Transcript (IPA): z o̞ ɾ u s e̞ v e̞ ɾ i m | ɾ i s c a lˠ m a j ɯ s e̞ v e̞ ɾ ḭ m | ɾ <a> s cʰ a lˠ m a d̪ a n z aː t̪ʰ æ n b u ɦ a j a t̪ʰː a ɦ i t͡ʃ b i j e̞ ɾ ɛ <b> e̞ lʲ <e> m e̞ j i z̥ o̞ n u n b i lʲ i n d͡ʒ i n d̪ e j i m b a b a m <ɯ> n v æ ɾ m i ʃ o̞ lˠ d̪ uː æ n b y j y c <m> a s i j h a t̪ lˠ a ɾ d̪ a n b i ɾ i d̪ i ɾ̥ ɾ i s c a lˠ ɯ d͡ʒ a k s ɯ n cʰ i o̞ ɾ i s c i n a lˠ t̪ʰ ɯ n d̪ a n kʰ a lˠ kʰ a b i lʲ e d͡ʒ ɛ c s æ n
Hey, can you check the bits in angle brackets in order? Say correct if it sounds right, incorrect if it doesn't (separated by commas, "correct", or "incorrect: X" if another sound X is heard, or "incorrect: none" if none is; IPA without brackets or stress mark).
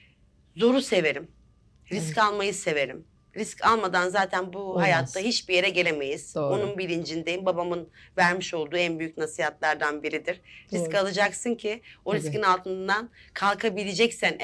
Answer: incorrect: i, incorrect: ɟ, correct, correct, incorrect: n